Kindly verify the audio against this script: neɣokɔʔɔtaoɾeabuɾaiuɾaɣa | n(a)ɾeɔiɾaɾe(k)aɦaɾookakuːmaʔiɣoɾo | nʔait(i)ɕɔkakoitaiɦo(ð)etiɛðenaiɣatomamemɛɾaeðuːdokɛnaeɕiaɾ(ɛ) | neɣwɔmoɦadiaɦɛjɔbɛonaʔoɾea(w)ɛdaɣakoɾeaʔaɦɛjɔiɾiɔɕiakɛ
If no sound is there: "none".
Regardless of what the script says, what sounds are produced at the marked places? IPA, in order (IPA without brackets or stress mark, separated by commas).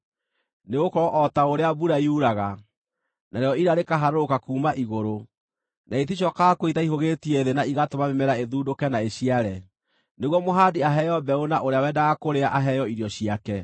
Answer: a, k, i, ɣ, ɛ, w